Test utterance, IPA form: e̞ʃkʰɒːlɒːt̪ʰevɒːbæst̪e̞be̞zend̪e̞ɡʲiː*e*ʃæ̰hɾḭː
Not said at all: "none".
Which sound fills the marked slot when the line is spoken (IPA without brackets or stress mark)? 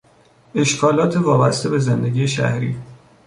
e